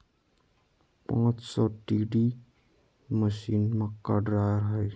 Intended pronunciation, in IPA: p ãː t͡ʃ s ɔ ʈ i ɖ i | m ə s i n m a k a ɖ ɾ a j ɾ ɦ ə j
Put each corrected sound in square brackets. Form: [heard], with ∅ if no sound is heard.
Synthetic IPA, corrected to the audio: p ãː t͡ʃ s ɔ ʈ i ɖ i | m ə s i n m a k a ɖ ɾ a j ɾ ɦ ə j